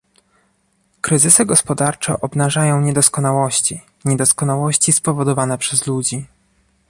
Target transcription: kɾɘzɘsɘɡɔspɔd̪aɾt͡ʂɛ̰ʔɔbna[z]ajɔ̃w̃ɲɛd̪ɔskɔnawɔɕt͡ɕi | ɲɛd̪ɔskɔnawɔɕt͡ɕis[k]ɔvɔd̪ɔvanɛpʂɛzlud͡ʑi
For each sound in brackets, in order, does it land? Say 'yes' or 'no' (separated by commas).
no, no